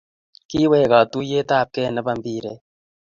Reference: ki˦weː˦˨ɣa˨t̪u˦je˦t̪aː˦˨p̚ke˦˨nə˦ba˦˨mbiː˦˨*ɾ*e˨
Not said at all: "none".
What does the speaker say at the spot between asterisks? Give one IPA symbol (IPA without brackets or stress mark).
ɾ